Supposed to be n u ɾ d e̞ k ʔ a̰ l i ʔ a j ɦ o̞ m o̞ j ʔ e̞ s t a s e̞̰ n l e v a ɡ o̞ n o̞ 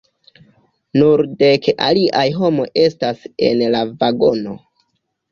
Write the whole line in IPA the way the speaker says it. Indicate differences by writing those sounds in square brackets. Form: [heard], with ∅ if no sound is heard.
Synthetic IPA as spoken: n u ɾ d e̞ k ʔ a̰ l i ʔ a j ɦ o̞ m o̞ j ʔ e̞ s t a s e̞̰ n l [a] v a ɡ o̞ n o̞